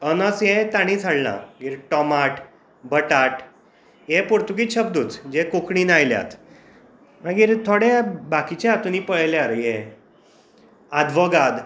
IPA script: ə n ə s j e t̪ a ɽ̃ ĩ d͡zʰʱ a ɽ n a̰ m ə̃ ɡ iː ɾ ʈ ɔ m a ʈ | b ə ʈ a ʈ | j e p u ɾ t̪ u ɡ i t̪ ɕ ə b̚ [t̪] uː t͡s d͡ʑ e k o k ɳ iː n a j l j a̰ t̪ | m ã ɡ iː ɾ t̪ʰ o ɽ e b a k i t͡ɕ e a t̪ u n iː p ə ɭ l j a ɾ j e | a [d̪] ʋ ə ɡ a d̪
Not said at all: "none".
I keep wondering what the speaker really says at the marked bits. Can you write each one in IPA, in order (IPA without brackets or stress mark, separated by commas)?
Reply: d̪, d̪